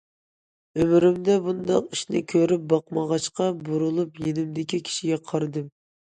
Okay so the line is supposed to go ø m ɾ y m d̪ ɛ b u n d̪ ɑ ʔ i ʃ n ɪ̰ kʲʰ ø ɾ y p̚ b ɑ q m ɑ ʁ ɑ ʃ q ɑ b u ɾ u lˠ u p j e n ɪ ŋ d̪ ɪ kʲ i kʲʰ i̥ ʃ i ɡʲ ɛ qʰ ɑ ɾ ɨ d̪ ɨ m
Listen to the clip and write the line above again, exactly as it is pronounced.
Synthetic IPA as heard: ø m ɾ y m d̪ ɛ b u n d̪ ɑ q i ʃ n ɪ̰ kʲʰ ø ɾ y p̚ b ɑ q m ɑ ʁ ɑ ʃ q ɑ b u ɾ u lˠ u p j e n ɪ m d̪ ɪ kʲ i kʲʰ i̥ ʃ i ɡʲ ɛ qʰ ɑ ɾ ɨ d̪ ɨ m